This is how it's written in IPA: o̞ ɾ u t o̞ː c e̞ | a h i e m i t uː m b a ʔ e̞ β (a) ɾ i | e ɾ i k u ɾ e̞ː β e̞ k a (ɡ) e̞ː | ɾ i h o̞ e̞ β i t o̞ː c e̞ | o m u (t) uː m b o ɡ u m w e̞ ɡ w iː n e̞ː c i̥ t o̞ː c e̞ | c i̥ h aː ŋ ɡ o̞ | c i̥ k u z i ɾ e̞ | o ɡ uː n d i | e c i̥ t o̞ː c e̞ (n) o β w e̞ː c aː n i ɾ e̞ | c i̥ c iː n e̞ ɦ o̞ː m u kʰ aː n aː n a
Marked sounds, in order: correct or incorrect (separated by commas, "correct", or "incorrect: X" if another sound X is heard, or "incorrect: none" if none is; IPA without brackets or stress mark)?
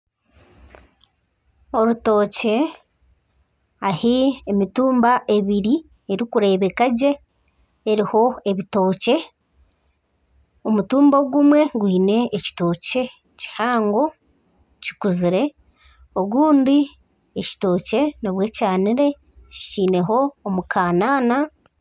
incorrect: i, incorrect: ɟ, correct, correct